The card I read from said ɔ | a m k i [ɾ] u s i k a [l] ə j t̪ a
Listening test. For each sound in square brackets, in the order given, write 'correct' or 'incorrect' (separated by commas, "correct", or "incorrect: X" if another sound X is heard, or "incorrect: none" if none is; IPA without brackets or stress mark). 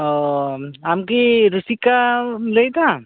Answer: correct, correct